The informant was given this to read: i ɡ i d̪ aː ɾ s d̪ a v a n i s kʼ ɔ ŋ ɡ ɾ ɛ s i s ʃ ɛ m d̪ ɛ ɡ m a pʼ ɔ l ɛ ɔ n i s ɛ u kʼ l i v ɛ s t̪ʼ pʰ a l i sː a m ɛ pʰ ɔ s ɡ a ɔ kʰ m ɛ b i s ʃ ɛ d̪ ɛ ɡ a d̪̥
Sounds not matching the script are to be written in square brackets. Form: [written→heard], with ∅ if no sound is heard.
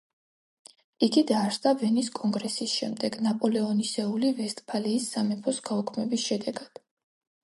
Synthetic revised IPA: i ɡ i d̪ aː ɾ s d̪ a v [a→ɛ] n i s kʼ ɔ ŋ ɡ ɾ ɛ s i s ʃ ɛ m d̪ ɛ ɡ [m→n] a pʼ ɔ l ɛ ɔ n i s ɛ u [kʼ→∅] l i v ɛ s t̪ʼ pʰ a l [i→iː] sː a m ɛ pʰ ɔ s ɡ a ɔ kʰ m ɛ b i s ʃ ɛ d̪ ɛ ɡ a d̪̥

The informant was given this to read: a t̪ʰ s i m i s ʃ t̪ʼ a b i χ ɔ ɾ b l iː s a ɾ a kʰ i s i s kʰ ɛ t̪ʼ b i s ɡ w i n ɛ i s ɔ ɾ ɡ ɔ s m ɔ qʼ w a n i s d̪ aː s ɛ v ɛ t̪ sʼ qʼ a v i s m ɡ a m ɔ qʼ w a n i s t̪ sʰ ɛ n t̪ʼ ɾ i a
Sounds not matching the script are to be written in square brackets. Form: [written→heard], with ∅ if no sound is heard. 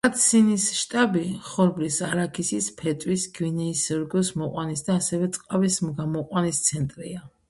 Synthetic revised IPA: a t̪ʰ s i [m→n] i s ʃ t̪ʼ a b i χ ɔ ɾ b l [iː→i] s a ɾ a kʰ i s i s [kʰ→pʰ] ɛ t̪ʼ [b→w] i s ɡ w i n ɛ i s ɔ ɾ ɡ ɔ s m ɔ qʼ w a n i s d̪ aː s ɛ v ɛ t̪ sʼ qʼ a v i s m ɡ a m ɔ qʼ w a n i s t̪ sʰ ɛ n t̪ʼ ɾ i a

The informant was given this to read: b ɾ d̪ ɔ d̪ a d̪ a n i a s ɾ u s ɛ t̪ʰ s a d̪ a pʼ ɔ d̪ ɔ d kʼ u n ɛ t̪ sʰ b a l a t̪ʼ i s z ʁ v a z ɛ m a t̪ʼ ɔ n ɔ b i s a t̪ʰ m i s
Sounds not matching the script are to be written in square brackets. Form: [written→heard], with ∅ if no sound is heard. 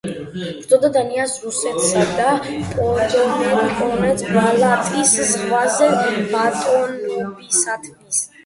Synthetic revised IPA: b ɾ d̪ ɔ d̪ a d̪ a n i a s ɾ u s ɛ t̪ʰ s a d̪ a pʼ ɔ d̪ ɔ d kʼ [u→ɔ] n ɛ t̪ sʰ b a l a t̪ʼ i s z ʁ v a z ɛ m a t̪ʼ ɔ n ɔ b i s a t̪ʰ m i s

